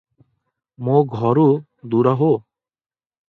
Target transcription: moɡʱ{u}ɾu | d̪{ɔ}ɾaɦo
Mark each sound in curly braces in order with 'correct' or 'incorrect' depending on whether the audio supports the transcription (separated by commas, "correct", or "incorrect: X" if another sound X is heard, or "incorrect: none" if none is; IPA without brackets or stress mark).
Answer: incorrect: ɔ, incorrect: u